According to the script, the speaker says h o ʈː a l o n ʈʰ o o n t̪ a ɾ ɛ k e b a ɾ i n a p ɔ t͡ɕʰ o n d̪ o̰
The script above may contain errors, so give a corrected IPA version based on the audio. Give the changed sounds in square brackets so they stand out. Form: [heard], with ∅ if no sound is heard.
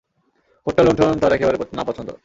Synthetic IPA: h o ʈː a l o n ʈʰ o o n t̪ a ɾ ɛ k e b a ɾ [e] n a p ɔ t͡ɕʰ o n [t̪] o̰